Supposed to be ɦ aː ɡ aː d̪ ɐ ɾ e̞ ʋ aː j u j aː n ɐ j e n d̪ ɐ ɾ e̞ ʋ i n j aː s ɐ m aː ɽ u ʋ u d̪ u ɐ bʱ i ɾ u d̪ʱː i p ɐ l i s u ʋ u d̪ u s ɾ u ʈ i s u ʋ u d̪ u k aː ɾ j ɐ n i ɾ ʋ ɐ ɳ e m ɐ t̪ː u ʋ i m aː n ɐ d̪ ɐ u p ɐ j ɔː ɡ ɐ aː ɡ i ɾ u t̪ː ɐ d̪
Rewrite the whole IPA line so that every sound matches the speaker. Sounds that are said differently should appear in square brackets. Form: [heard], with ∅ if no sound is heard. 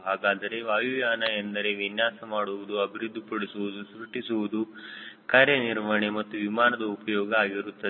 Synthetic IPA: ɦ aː ɡ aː d̪ ɐ ɾ e̞ ʋ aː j u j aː n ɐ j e n d̪ ɐ ɾ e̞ ʋ i n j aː s ɐ m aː ɽ u ʋ u d̪ u ɐ bʱ i ɾ u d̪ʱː i p ɐ [ɽ] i s u ʋ u d̪ u s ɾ u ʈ i s u ʋ u d̪ u k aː ɾ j ɐ n i ɾ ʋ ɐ ɳ e m ɐ t̪ː u ʋ i m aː n ɐ d̪ ɐ u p ɐ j ɔː ɡ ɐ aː ɡ i ɾ u t̪ː ɐ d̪

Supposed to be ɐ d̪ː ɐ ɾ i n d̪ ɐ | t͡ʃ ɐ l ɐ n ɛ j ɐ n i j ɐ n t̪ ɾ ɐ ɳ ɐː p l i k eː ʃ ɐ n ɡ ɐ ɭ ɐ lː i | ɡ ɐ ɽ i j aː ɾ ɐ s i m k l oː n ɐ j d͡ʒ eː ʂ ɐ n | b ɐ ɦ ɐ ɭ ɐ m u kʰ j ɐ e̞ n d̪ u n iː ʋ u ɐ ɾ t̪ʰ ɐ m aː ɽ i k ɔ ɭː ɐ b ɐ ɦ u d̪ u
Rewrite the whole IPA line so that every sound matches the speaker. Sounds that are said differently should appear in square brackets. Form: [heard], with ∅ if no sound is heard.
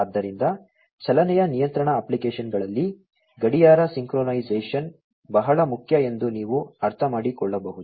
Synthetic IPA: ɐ d̪ː ɐ ɾ i n d̪ ɐ | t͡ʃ ɐ l ɐ n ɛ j ɐ n i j ɐ n t̪ ɾ ɐ ɳ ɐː p l i k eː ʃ ɐ n ɡ ɐ ɭ ɐ lː i | ɡ ɐ ɽ i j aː ɾ ɐ s i [ŋ] k [ɾ] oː n ɐ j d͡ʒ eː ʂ ɐ n | b ɐ ɦ ɐ ɭ ɐ m u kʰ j ɐ e̞ n d̪ u n iː ʋ u ɐ ɾ t̪ʰ ɐ m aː ɽ i k ɔ ɭː ɐ b ɐ ɦ u d̪ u

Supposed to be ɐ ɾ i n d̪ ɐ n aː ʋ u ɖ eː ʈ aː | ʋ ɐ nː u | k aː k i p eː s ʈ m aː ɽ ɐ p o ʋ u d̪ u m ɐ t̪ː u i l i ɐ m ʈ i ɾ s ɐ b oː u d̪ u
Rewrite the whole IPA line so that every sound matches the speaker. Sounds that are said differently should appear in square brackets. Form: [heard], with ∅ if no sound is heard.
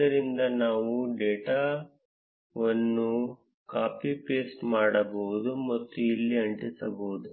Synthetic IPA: ɐ ɾ i n d̪ ɐ n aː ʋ u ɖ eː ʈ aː | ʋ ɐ nː u | k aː [p] i p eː s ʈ m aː ɽ ɐ [b] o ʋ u d̪ u m ɐ t̪ː u i [lː] i ɐ [ɳ] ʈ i [∅] s ɐ b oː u d̪ u

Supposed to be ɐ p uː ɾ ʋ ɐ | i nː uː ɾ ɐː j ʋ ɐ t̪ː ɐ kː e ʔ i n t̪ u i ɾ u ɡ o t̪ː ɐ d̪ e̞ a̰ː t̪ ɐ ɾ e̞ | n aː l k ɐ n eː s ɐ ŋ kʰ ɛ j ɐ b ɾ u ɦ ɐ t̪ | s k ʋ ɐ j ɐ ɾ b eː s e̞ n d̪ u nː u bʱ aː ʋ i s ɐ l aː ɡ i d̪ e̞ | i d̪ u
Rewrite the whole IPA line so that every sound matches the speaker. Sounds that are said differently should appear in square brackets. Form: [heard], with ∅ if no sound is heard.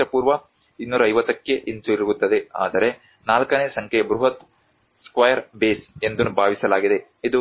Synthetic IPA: ɐ p uː ɾ ʋ ɐ | i nː uː ɾ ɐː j ʋ ɐ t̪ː ɐ kː e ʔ i n t̪ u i ɾ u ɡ [u] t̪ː ɐ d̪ e̞ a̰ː [d̪] ɐ ɾ e̞ | n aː l k ɐ n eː s ɐ ŋ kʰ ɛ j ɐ b ɾ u ɦ ɐ t̪ | s k ʋ ɐ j ɐ ɾ b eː s e̞ n d̪ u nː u bʱ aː ʋ i s ɐ l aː ɡ i d̪ e̞ | i d̪ u

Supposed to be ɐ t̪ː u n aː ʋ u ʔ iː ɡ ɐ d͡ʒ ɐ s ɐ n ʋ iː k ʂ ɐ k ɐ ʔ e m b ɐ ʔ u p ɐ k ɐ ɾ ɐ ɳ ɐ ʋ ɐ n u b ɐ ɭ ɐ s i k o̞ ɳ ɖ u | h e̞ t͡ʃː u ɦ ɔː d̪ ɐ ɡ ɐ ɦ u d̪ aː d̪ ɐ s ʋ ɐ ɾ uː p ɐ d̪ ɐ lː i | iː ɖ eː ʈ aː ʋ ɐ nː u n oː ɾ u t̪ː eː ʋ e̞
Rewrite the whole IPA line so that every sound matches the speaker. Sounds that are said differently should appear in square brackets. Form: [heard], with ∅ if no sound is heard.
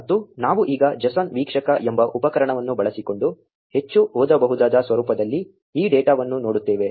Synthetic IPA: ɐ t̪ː u n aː ʋ u ʔ iː ɡ ɐ d͡ʒ ɐ s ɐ n ʋ iː k ʂ ɐ k ɐ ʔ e m b ɐ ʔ u p ɐ k ɐ ɾ ɐ ɳ ɐ ʋ ɐ [nː] u b ɐ ɭ ɐ s i k o̞ ɳ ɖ u | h e̞ t͡ʃː u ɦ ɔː d̪ ɐ [b] ɐ ɦ u d̪ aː d̪ ɐ s ʋ ɐ ɾ uː p ɐ d̪ ɐ lː i | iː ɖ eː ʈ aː ʋ ɐ nː u n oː [ɽ] u t̪ː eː ʋ e̞

